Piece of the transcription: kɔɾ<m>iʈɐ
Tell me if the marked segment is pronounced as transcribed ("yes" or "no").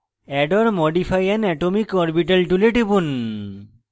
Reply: no